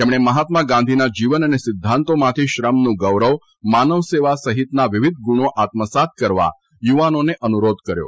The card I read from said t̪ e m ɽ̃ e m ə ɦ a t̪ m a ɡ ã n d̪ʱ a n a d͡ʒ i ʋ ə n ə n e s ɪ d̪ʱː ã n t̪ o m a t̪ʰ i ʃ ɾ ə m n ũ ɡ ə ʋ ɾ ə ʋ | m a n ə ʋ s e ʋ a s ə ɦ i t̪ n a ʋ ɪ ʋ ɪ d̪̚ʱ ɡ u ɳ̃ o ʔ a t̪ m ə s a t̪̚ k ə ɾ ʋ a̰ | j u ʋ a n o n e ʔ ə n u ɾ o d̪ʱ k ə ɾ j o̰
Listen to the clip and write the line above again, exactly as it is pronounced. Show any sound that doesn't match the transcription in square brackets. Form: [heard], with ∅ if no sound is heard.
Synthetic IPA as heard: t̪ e m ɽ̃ e m ə ɦ a t̪ m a ɡ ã n d̪ʱ [i] n a d͡ʒ i ʋ ə n ə n e s ɪ d̪ʱː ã n t̪ o m a t̪ʰ i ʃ ɾ ə m n ũ ɡ ə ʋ ɾ ə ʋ | m a n ə ʋ s e ʋ a s ə ɦ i t̪ n a ʋ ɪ ʋ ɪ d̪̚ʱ ɡ u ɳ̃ o ʔ a t̪ m ə s a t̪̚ k ə ɾ ʋ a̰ | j u ʋ a n o n e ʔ ə n u ɾ o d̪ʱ k ə ɾ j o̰